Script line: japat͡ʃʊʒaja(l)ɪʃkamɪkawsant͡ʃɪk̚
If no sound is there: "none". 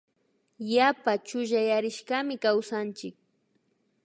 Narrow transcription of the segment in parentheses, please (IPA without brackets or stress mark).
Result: ɾ